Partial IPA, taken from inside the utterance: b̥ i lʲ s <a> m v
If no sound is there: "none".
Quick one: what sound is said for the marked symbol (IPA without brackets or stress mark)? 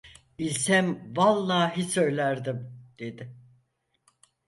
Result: æ